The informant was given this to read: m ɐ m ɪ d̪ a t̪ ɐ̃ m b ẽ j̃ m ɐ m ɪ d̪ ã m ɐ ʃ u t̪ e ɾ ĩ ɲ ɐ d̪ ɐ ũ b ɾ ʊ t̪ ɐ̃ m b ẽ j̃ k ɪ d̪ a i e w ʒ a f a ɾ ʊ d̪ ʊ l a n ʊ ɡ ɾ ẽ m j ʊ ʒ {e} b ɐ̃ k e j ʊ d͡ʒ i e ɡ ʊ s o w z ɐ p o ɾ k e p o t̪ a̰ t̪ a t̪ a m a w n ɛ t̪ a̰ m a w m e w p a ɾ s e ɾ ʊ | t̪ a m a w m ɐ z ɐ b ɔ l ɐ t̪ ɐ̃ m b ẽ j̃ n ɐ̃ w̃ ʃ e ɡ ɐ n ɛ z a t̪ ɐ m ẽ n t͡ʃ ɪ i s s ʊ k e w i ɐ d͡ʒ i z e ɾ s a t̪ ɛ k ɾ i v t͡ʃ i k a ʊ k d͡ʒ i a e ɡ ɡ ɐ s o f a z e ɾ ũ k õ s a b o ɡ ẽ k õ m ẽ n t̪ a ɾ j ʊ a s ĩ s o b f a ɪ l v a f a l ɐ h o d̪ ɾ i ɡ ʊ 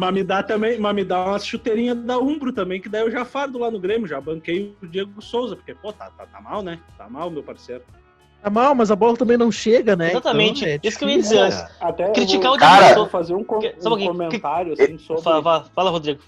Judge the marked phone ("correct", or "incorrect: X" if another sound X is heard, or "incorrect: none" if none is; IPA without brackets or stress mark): incorrect: a